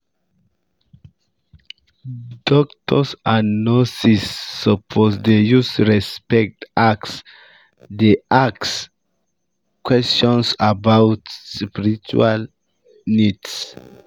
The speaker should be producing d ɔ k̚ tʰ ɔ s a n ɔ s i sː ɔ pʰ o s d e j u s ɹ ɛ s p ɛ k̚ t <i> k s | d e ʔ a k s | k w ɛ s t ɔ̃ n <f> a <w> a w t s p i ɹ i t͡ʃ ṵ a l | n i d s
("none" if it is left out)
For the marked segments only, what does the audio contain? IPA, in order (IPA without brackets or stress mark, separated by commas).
a, s, b